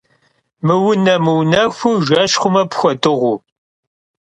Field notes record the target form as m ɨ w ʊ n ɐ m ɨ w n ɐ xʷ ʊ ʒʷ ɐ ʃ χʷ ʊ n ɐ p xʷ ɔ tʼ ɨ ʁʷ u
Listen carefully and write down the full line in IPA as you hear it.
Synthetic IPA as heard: m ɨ w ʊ n ɐ m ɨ w n ɐ xʷ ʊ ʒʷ ɐ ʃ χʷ ʊ m ɐ p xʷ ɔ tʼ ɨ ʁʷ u